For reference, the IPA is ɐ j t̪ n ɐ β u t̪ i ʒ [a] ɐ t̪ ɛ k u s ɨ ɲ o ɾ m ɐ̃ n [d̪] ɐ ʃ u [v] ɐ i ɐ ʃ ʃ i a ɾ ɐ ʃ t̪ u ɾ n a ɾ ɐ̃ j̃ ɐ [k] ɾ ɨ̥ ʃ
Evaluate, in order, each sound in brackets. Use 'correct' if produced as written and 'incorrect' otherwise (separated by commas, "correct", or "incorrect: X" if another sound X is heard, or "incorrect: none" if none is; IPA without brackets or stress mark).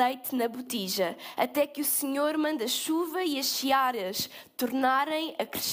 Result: incorrect: ɐ, correct, correct, correct